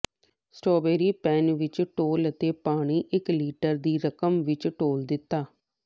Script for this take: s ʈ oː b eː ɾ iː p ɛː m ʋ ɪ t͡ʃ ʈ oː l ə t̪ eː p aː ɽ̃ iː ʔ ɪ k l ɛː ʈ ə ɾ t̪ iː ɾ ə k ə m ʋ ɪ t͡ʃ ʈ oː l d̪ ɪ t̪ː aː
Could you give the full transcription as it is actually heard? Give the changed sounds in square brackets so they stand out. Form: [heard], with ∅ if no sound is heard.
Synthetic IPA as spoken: s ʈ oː b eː ɾ iː p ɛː [n] ʋ ɪ t͡ʃ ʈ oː l ə t̪ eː p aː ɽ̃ iː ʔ ɪ k l [iː] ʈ ə ɾ [d̪] iː ɾ ə k ə m ʋ ɪ t͡ʃ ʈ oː l d̪ ɪ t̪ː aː